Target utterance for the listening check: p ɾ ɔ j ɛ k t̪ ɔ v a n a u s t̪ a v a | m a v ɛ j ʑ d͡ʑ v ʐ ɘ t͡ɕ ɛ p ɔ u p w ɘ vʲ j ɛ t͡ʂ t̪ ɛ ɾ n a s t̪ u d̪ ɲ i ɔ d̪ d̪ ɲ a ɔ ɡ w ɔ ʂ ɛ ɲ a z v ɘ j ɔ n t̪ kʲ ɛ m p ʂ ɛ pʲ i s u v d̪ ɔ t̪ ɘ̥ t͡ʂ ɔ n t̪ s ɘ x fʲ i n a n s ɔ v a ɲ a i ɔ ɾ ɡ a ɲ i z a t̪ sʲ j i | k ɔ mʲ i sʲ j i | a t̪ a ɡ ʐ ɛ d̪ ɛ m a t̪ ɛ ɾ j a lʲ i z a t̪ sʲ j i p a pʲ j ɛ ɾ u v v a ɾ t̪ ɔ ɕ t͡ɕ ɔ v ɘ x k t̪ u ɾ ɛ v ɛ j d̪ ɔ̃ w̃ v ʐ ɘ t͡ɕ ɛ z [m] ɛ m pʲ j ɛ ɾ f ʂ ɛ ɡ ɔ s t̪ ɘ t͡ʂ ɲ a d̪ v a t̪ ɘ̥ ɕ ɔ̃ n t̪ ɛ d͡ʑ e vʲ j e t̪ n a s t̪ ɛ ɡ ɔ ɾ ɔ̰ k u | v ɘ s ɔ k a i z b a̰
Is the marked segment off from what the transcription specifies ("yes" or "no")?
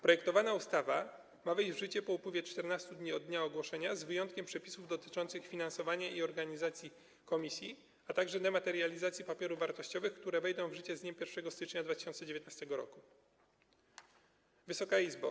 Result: yes